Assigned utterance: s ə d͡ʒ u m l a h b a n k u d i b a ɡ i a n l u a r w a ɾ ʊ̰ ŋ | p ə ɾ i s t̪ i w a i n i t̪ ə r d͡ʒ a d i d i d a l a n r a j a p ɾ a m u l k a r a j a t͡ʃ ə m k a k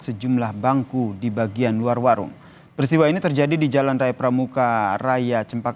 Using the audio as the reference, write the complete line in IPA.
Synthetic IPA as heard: s ə d͡ʒ u m l a h b a ŋ k u d i b a ɡ i a n l u a r w a ɾ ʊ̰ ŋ | p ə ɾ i s t̪ i w a i n i t̪ ə r d͡ʒ a d i d i d͡ʒ a l a n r a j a p ɾ a m u k a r a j a t͡ʃ ə m p a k